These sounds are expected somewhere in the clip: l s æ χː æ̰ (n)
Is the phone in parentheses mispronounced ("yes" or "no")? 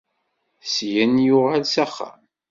yes